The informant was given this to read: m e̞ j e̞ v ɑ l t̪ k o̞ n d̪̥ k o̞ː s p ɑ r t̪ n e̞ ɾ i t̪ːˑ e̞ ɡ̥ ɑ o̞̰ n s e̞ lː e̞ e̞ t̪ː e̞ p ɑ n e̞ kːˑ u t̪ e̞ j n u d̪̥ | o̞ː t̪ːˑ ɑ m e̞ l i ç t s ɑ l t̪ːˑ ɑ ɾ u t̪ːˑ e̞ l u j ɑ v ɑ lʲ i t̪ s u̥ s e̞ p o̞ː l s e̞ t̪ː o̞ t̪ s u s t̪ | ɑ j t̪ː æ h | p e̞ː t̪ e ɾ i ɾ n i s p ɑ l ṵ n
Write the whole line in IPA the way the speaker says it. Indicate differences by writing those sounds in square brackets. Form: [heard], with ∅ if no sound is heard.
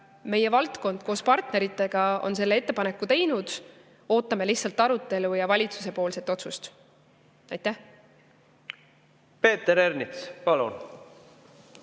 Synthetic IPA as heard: m e̞ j e̞ v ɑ l t̪ k o̞ n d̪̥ k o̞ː s p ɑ r t̪ n e̞ ɾ i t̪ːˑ e̞ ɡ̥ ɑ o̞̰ n s e̞ lː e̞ e̞ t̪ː e̞ p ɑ n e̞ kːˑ u t̪ e̞ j n u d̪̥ | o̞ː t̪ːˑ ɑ m e̞ l i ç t s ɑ l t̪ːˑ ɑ ɾ u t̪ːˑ e̞ l u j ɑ v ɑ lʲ i t̪ s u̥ s e̞ p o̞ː l s e̞ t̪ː o̞ t̪ s u s t̪ | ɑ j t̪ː æ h | p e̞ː t̪ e ɾ [e] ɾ n i s p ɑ l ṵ n

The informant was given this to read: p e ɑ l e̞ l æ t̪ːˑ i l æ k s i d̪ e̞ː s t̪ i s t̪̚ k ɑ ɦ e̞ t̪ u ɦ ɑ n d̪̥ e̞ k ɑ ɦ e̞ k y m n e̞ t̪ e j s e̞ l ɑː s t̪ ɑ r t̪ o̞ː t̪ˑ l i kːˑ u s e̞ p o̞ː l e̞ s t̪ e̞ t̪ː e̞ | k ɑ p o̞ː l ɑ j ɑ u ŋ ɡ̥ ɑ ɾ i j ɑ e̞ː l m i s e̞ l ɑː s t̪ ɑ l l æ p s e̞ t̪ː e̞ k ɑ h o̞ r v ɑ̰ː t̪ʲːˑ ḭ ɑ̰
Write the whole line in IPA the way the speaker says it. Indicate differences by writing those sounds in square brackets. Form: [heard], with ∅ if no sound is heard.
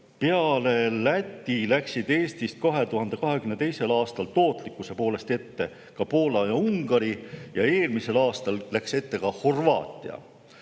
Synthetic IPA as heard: p e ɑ l e̞ l æ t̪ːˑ i l æ k s i d̪ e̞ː s t̪ i s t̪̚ k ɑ ɦ e̞ t̪ u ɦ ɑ n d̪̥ e̞ k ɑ ɦ e̞ k y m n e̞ t̪ e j s e̞ l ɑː s t̪ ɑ [l] t̪ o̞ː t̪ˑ l i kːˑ u s e̞ p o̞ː l e̞ s t̪ e̞ t̪ː e̞ | k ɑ p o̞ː l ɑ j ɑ u ŋ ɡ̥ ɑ ɾ i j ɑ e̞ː l m i s e̞ l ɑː s t̪ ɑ l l æ [k] s e̞ t̪ː e̞ k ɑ h o̞ r v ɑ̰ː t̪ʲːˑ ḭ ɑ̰

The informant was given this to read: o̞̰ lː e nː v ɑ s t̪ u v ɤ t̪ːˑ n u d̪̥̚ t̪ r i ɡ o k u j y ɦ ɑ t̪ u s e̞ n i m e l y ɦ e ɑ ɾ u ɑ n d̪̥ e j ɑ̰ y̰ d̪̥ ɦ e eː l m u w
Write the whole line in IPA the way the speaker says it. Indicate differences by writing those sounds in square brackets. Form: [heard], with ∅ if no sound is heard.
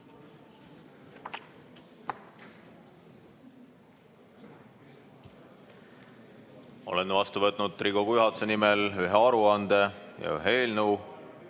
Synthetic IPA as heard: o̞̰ [l] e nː v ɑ s t̪ u v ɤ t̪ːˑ n u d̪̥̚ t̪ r i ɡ o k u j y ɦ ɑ t̪ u s e̞ n i m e l y ɦ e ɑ ɾ u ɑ n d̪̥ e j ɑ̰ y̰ [∅] ɦ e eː l [n] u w

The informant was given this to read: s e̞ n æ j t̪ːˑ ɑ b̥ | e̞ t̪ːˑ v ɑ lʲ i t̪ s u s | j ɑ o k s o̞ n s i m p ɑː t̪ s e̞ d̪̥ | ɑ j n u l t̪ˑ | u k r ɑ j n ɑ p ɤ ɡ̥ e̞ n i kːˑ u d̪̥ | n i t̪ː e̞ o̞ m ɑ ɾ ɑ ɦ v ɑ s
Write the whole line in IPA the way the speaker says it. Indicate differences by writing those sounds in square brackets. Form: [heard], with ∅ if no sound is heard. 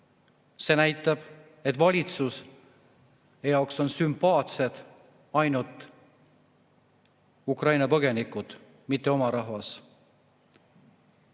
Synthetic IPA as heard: s e̞ n æ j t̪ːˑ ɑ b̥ | e̞ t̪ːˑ v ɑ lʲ i t̪ s u s | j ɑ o k s o̞ n s [y] m p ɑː t̪ s e̞ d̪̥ | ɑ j n u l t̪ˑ | u k r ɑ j n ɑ p ɤ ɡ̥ e̞ n i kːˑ u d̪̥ | [m] i t̪ː e̞ o̞ m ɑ ɾ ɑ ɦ v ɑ s

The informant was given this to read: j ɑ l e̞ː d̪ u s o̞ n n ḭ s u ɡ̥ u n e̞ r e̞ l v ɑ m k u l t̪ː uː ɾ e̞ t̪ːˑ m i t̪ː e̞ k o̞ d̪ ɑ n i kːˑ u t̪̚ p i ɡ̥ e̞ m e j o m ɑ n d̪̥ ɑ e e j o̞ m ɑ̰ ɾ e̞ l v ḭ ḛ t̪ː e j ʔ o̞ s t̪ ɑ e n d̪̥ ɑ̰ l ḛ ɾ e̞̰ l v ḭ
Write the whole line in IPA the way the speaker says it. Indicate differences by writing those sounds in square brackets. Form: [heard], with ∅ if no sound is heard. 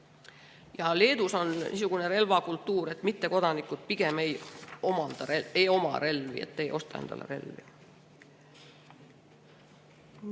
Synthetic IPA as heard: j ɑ l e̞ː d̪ u s o̞ n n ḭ s u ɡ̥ u n e̞ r e̞ l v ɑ [∅] k u l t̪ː uː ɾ e̞ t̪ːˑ m i t̪ː e̞ k o̞ d̪ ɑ n i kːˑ u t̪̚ p i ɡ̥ e̞ m e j o m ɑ n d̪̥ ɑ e e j o̞ m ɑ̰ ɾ e̞ l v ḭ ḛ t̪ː e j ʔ o̞ s t̪ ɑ e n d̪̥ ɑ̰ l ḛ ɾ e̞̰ l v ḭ

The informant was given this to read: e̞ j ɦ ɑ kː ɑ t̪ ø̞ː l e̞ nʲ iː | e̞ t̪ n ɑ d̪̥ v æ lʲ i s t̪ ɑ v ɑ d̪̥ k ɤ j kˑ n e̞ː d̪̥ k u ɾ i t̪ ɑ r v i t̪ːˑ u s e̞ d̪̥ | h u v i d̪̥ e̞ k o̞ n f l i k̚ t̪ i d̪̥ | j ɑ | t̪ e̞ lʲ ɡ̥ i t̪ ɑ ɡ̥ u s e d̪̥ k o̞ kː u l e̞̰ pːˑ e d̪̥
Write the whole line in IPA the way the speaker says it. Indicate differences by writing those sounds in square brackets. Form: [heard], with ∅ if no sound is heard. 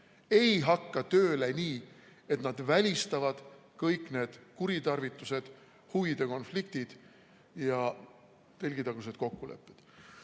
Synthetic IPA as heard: e̞ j ɦ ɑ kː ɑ t̪ ø̞ː l e̞ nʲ iː | e̞ t̪ n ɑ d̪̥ v æ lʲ i s t̪ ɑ v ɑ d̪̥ k ɤ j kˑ n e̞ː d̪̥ k u ɾ i t̪ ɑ r v i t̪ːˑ u s e̞ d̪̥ | h u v i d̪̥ e̞ k o̞ n f l i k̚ t̪ i d̪̥ | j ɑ | t̪ e̞ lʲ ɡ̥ i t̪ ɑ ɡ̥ u s e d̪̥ k o̞ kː u l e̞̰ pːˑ e d̪̥

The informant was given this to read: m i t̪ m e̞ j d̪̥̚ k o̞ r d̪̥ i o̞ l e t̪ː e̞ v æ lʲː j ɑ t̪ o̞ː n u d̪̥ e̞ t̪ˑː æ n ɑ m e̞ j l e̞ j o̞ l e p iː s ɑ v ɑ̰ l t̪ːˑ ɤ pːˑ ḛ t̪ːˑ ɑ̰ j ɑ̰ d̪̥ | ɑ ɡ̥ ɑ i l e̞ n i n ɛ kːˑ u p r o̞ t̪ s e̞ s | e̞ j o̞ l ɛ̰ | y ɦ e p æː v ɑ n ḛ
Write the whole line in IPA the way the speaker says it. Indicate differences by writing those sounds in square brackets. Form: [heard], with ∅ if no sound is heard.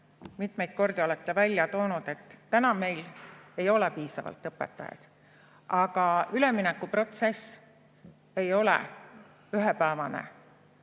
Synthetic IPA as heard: m i t̪ m e̞ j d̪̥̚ k o̞ r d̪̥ i o̞ l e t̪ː e̞ v æ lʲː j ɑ t̪ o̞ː n u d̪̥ e̞ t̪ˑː æ n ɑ m e̞ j l e̞ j o̞ l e p iː s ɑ v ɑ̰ l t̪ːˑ ɤ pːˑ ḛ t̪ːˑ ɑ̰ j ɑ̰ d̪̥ | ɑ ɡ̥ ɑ [y] l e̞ [m] i n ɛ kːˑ u p r o̞ t̪ s e̞ s | e̞ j o̞ l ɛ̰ | y ɦ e p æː v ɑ n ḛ

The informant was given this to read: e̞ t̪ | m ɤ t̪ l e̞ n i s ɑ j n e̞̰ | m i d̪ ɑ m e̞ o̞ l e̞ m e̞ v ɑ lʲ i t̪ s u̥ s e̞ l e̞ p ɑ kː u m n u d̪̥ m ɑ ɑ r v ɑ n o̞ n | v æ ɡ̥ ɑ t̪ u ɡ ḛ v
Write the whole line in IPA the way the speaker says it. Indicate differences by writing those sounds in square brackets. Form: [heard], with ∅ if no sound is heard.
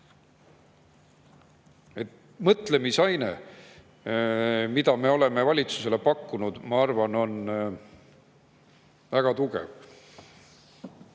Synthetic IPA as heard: e̞ t̪ | m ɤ t̪ l e̞ [m] i s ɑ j n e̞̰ | m i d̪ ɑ m e̞ o̞ l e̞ m e̞ v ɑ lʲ i t̪ s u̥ s e̞ l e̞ p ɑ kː u [∅] n u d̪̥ m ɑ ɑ r v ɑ n o̞ n | v æ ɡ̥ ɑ t̪ u ɡ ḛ v

